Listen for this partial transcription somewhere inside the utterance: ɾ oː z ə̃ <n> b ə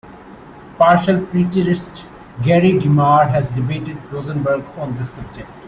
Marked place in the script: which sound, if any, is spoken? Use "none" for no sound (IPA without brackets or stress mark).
n